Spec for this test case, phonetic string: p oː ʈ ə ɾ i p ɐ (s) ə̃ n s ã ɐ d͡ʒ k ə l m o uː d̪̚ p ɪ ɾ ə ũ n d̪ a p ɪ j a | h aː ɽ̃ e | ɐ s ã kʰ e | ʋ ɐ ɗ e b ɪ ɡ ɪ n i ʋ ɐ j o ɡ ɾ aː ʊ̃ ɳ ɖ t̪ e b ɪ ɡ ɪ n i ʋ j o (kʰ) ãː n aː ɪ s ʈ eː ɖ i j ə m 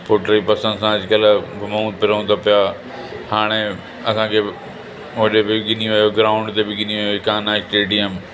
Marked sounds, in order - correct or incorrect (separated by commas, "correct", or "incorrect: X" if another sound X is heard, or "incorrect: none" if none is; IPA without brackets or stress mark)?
correct, incorrect: k